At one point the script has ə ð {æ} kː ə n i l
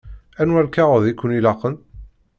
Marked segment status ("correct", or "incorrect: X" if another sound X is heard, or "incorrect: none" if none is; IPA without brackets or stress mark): incorrect: i